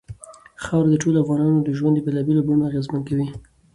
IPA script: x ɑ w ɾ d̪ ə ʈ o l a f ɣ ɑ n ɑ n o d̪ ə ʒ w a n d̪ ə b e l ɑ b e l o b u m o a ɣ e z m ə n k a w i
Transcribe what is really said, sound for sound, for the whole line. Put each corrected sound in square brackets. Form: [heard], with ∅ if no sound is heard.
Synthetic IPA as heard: x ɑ w ɾ d̪ ə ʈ o l a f ɣ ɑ n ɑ n o d̪ ə ʒ w a n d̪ ə b e l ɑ b e l o b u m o a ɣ e z m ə n k a w i